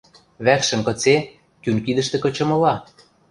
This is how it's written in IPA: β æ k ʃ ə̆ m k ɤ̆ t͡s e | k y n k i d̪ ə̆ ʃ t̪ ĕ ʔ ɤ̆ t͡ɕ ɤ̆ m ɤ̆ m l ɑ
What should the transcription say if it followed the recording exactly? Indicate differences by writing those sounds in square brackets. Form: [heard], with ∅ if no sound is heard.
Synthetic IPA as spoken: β æ k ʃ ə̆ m k ɤ̆ t͡s e | k y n k i d̪ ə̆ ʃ t̪ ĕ [k] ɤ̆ t͡ɕ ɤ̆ m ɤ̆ [∅] l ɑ

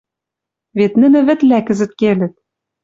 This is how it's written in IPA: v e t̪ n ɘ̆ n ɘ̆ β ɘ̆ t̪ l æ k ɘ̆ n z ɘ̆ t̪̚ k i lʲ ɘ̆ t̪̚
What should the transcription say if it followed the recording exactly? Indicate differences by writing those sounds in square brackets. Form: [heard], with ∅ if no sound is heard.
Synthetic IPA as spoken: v e t̪ n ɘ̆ n ɘ̆ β ɘ̆ t̪ l æ k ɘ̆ [∅] z ɘ̆ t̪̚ k [e] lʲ ɘ̆ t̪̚

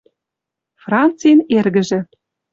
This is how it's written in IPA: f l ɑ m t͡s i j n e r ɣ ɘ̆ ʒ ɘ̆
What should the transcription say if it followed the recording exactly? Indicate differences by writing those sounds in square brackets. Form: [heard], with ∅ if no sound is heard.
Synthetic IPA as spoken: f [r] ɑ [n] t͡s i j n e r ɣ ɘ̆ ʒ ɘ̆

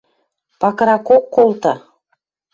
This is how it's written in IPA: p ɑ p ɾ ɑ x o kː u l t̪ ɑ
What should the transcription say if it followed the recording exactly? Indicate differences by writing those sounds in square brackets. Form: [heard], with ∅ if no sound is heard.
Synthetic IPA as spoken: p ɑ [k] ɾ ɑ [k] o kː [o] l t̪ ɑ

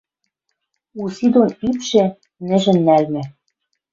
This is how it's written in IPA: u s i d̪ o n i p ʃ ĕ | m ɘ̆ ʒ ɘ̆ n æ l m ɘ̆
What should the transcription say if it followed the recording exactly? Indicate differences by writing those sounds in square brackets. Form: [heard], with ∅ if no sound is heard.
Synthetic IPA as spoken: u s i d̪ o n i p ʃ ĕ | [n] ɘ̆ ʒ ɘ̆ [nː] æ l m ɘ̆

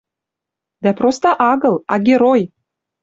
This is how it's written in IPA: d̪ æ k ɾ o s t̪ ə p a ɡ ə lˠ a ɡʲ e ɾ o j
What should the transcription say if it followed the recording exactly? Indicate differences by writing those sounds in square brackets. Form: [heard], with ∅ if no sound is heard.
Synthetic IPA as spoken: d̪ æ [p] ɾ o s t̪ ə [ʔ] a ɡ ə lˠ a ɡʲ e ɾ o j

